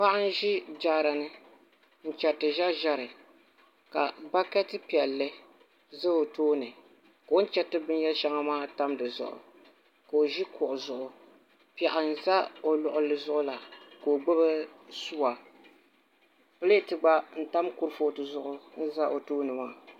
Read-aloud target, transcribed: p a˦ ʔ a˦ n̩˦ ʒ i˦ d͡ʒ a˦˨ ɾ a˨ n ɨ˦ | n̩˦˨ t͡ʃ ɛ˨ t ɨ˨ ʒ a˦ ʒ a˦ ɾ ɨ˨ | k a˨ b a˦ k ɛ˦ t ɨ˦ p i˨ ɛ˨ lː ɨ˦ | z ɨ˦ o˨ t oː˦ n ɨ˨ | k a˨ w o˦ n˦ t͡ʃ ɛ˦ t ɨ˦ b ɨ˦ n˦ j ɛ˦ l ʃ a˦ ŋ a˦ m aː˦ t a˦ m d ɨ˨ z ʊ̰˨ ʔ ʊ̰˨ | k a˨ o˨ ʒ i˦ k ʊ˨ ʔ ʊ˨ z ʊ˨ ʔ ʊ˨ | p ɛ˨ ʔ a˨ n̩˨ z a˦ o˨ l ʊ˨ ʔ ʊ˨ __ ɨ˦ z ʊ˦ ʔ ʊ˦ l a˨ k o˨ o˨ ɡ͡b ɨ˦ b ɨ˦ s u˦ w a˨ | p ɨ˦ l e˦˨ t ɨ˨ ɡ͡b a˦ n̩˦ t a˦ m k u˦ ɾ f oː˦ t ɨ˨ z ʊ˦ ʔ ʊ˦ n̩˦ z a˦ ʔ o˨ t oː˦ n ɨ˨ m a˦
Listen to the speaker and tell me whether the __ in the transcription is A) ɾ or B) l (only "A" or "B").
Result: B